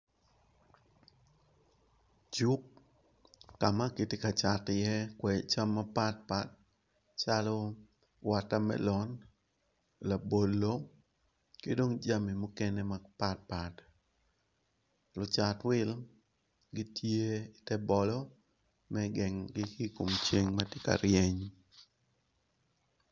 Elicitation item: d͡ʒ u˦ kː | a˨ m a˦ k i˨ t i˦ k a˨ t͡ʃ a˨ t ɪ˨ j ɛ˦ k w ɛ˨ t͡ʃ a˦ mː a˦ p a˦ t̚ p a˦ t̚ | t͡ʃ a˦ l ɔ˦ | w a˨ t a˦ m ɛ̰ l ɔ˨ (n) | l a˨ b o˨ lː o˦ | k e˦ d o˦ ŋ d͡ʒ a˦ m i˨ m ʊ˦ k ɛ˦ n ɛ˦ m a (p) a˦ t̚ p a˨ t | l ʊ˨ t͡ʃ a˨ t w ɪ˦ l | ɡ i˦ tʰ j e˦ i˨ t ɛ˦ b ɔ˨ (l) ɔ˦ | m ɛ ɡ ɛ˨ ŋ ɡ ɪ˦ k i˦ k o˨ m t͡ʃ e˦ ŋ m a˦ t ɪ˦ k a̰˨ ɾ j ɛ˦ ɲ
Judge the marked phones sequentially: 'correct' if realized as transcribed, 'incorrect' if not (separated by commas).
correct, correct, correct